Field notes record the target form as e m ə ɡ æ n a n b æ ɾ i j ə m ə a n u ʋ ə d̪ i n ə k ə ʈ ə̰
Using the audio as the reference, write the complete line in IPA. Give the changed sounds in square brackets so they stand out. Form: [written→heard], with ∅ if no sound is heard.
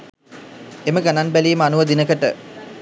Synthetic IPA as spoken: e m ə ɡ [æ→a] n a n b æ [ɾ→l] i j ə m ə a n u ʋ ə d̪ i n ə k ə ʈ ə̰